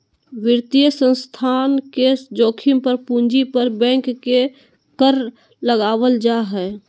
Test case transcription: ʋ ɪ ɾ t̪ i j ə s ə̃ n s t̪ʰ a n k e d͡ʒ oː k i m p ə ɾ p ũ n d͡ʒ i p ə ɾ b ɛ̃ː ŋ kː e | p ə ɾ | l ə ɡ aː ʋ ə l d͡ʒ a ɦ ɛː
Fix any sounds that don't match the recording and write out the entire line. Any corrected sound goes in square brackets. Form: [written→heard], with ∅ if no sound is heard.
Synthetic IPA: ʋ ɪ ɾ t̪ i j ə s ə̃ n s t̪ʰ a n k e d͡ʒ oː [k→kʰ] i m p ə ɾ p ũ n d͡ʒ i p ə ɾ b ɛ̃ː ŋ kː e | [p→k] ə ɾ | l ə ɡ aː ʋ ə l d͡ʒ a ɦ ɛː